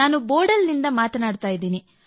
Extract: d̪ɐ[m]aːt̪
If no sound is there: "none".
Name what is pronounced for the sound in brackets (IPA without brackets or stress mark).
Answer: m